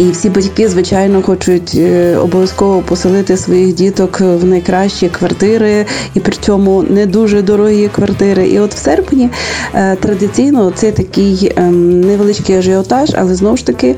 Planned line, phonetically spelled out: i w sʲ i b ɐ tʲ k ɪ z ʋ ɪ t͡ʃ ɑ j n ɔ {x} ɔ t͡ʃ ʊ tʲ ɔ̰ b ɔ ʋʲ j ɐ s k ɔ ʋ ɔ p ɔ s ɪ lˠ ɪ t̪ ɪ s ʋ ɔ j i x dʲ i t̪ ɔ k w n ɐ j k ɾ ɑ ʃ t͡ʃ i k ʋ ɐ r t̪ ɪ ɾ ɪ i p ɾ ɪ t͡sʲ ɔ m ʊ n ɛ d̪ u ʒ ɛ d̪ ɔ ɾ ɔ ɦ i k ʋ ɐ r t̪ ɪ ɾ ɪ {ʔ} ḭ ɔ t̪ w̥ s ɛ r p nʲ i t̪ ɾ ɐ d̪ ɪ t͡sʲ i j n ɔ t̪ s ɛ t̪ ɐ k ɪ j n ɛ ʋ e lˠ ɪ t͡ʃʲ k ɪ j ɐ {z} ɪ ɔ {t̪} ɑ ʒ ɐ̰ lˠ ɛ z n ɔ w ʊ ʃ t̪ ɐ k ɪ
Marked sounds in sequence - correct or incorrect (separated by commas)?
correct, correct, incorrect, correct